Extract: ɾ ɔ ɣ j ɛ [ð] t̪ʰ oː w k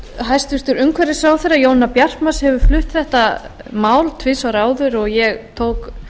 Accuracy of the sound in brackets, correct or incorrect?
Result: incorrect